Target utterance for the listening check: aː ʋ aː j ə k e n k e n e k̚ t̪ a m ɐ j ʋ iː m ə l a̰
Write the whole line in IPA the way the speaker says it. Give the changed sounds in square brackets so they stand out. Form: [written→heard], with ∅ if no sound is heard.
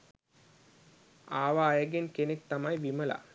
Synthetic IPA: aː ʋ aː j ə [k→ɡ] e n k e n e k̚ t̪ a m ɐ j ʋ [iː→i] m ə l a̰